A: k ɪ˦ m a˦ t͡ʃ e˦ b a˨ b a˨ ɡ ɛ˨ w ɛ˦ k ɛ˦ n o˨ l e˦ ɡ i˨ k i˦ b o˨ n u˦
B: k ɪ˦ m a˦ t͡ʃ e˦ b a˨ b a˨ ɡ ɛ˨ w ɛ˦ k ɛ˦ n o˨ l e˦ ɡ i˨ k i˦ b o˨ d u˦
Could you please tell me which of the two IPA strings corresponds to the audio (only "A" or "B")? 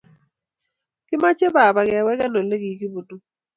B